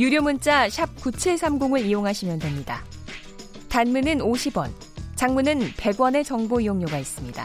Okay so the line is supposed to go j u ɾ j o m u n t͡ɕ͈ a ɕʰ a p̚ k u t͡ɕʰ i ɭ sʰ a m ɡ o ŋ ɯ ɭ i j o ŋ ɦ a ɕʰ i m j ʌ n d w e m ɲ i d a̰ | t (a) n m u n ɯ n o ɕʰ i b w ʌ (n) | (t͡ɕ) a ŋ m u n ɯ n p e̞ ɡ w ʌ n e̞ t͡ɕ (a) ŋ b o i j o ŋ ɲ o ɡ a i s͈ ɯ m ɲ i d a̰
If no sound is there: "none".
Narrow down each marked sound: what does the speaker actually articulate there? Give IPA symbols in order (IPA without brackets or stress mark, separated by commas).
a, n, t͡ɕ, ʌ